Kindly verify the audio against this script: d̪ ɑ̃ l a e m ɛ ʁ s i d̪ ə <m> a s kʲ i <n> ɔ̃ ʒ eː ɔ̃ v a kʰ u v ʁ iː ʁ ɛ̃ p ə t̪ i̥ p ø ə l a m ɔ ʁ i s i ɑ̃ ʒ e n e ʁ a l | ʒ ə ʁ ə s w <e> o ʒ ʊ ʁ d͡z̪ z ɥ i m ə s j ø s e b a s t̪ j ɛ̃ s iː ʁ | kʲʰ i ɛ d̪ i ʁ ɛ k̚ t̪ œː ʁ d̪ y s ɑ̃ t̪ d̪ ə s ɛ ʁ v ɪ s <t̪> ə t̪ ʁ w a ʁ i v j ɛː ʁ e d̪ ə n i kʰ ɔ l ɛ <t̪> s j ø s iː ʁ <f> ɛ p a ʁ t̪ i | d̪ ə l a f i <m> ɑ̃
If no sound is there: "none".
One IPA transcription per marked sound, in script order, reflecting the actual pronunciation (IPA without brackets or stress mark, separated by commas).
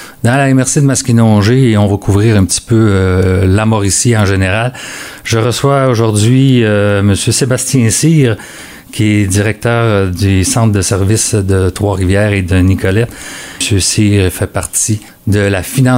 m, n, a, d̪, t̪, f, n